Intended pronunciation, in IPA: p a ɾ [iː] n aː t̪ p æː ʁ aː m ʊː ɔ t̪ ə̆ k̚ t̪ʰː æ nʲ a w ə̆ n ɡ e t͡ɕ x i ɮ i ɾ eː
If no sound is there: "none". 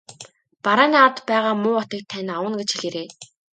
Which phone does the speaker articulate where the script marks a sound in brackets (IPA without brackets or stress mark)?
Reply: aː